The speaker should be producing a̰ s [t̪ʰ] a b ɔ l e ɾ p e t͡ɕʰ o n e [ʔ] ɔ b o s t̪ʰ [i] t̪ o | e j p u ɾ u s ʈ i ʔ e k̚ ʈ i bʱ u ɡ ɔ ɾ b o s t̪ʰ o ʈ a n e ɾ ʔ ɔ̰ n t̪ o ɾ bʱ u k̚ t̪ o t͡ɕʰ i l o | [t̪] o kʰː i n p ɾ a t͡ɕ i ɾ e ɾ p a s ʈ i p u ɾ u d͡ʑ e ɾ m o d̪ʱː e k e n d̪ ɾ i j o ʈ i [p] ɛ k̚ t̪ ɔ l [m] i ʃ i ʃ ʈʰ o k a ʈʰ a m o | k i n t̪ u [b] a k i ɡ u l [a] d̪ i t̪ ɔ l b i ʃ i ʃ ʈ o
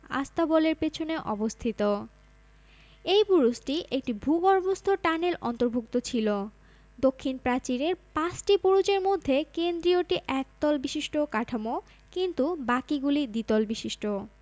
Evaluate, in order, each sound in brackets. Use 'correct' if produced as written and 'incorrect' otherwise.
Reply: incorrect, correct, correct, incorrect, incorrect, incorrect, correct, incorrect

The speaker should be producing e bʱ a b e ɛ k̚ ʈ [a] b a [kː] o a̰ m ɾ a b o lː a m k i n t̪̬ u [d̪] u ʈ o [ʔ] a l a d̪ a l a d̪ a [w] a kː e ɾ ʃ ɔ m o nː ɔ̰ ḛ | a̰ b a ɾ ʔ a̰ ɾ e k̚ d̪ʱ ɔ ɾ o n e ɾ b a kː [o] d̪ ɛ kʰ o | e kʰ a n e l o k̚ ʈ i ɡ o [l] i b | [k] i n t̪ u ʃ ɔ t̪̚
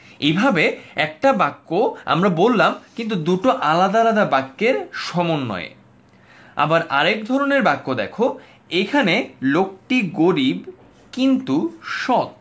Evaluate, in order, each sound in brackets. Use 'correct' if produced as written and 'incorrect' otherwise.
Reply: correct, correct, correct, correct, incorrect, correct, incorrect, correct

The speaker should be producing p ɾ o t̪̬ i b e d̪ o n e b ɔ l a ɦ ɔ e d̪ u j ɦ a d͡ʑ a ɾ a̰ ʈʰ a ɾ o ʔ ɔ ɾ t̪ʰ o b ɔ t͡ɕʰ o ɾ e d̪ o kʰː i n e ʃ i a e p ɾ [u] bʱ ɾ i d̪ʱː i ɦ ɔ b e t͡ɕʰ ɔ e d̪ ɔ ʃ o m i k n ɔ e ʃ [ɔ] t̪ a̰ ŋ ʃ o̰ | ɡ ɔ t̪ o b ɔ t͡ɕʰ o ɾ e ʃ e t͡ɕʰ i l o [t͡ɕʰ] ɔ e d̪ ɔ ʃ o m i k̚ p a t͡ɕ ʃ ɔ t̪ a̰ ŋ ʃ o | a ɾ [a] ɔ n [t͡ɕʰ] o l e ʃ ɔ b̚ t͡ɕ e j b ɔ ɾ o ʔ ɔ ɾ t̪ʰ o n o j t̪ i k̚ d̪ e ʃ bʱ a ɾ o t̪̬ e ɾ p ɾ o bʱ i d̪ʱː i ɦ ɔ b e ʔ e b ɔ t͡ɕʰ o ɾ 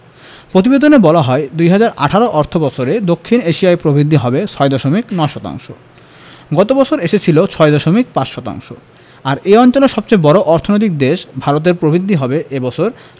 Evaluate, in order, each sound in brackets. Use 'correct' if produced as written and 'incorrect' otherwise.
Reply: incorrect, correct, correct, incorrect, incorrect

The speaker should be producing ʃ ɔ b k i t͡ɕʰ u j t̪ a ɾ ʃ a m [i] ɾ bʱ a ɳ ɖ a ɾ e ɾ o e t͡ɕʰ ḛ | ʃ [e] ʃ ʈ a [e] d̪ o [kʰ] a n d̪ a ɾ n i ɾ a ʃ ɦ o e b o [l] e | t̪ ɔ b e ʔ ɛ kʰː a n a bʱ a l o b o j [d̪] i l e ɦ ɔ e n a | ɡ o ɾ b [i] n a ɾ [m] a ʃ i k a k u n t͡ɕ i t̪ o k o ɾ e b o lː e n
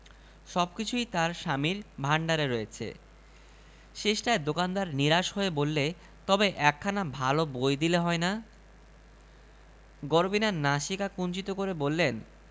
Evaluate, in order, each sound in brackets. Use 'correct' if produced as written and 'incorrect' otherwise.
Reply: correct, correct, correct, incorrect, incorrect, correct, correct, incorrect

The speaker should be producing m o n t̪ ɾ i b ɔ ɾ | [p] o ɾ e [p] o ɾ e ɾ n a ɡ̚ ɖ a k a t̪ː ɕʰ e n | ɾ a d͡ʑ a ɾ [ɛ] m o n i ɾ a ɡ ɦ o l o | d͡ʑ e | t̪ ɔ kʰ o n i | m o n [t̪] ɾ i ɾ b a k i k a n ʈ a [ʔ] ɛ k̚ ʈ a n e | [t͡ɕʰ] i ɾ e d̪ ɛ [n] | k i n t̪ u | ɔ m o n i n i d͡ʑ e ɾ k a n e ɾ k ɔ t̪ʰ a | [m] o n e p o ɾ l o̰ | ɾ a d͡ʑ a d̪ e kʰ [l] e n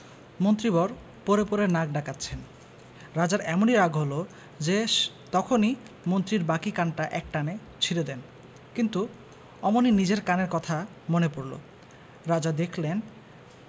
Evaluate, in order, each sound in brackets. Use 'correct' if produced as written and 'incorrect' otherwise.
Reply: correct, correct, correct, correct, correct, correct, correct, correct, correct

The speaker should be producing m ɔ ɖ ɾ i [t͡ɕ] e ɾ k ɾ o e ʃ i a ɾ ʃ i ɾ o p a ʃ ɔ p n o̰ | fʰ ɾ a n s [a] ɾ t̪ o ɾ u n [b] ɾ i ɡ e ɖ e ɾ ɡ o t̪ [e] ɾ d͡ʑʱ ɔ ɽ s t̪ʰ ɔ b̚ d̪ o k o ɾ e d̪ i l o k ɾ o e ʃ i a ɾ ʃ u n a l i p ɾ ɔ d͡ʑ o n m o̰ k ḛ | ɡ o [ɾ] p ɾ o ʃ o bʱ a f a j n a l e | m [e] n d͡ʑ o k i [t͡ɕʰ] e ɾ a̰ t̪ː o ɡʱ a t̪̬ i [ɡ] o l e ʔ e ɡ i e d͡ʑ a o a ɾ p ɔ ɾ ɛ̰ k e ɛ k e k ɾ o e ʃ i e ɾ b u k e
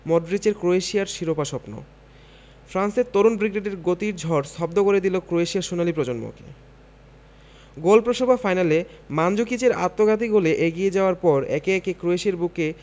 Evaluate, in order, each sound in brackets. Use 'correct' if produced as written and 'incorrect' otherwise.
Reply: correct, incorrect, correct, incorrect, incorrect, incorrect, incorrect, correct

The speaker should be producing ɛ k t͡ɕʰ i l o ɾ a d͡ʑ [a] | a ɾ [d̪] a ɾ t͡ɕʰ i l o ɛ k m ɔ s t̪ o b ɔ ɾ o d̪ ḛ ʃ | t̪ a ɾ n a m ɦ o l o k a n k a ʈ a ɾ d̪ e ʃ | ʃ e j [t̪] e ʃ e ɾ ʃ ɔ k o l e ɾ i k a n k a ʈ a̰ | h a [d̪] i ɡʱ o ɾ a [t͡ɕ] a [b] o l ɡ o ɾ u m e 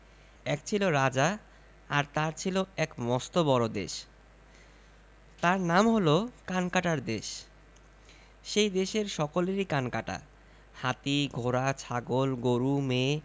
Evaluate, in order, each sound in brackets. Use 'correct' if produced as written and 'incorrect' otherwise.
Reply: correct, incorrect, incorrect, incorrect, incorrect, incorrect

